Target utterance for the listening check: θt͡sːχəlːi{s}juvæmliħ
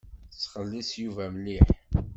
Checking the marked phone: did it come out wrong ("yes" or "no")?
no